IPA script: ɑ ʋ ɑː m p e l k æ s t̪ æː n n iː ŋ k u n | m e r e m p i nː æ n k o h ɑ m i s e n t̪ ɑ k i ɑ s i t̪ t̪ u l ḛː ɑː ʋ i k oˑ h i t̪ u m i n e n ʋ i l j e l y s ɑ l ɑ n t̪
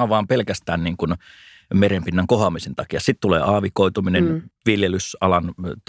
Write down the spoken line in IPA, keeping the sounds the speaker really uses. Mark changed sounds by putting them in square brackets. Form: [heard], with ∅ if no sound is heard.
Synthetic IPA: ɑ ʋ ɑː m p e l k æ s t̪ æː n n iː ŋ k u n | m e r e m p i nː æ [ŋ] k o h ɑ m i s e n t̪ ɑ k i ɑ s i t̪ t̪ u l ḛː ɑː ʋ i k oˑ [∅] i t̪ u m i n e n ʋ i l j e l y s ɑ l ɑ n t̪